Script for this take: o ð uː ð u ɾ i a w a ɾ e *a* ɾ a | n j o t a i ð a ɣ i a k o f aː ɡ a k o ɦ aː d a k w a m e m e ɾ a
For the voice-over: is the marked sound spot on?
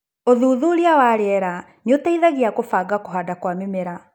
no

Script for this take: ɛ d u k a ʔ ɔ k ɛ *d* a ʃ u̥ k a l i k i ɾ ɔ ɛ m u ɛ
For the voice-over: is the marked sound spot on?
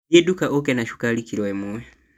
no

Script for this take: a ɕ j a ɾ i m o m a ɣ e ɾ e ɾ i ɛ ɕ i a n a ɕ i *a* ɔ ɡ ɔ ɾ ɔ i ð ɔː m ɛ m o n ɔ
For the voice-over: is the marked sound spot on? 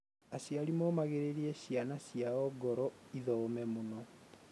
yes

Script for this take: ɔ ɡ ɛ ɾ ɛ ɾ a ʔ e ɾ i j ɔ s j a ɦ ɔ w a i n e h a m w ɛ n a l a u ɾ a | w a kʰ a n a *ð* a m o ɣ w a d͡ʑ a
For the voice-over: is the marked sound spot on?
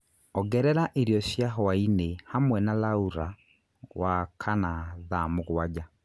yes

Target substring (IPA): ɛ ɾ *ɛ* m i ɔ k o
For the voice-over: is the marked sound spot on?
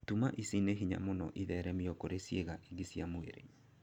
yes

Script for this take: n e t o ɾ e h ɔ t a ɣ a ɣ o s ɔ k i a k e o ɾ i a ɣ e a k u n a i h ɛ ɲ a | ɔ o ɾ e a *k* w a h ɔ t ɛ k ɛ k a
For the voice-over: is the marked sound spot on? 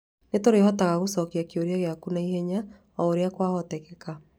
yes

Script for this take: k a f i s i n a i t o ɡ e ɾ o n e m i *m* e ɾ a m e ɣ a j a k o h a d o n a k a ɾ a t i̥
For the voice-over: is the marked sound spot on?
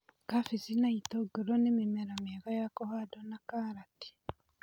yes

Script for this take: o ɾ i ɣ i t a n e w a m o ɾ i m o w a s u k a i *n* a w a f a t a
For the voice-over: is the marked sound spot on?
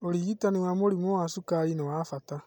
yes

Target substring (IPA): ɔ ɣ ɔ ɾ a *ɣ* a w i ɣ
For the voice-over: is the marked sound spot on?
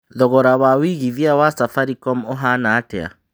no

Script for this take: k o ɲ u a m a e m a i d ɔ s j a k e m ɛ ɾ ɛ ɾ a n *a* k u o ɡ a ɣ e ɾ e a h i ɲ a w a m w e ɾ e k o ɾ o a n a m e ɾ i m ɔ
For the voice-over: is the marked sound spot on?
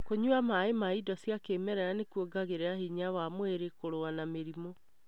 no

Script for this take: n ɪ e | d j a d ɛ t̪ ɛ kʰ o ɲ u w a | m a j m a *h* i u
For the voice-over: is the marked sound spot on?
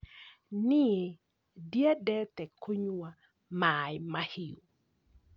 yes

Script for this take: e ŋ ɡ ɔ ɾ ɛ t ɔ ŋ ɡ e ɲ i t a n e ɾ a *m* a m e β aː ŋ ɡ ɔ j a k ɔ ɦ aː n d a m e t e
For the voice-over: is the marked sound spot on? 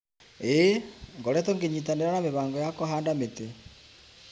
no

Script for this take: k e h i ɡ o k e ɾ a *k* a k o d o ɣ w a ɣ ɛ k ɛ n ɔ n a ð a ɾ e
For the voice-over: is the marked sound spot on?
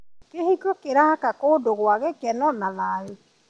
yes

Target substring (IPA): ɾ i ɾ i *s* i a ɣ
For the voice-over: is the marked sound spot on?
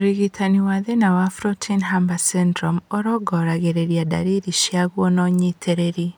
no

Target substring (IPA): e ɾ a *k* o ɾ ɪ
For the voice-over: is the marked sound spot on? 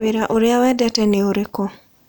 no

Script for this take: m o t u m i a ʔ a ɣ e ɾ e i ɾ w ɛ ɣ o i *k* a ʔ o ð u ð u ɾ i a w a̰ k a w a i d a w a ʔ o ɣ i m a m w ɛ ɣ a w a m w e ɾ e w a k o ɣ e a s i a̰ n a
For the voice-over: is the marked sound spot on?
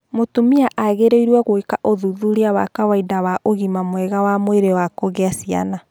yes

